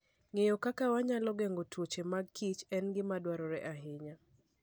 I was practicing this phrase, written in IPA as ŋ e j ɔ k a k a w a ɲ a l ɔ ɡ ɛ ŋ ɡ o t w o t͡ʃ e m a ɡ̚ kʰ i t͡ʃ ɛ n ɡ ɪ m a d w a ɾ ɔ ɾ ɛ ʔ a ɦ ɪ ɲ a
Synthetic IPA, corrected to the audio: ŋ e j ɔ k a k a w a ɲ a l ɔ ɡ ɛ ŋ ɡ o t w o t͡ʃ e m a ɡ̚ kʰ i t͡ʃ ɛ n ɡ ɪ m a d w a ɾ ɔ ɾ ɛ ʔ a ɦ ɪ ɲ a